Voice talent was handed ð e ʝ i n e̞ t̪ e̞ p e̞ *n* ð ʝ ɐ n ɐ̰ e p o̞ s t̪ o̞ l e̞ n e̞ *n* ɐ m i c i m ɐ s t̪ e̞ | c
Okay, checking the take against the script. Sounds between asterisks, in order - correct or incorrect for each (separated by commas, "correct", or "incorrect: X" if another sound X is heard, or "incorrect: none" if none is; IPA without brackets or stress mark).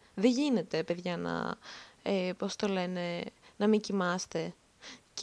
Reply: incorrect: none, correct